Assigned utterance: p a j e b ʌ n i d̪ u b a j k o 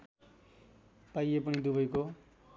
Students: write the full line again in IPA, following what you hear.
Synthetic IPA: p a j e p ʌ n i d̪ u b ʌ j k o